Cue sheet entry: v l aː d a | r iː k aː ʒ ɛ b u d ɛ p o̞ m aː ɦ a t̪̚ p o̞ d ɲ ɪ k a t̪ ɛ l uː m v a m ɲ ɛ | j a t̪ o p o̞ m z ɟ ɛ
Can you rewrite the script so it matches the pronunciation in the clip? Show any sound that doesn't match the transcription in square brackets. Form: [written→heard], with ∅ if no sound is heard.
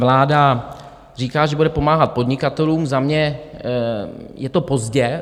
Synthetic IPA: v l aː d a | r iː k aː ʒ ɛ b u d ɛ p o̞ m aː ɦ a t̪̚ p o̞ d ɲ ɪ k a t̪ ɛ l uː m [v→z] a m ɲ ɛ | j [a→ɛ] t̪ o p o̞ [m→∅] z ɟ ɛ